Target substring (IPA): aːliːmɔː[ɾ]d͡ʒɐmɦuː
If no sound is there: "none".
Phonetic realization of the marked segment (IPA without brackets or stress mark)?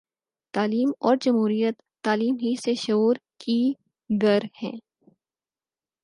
ɾ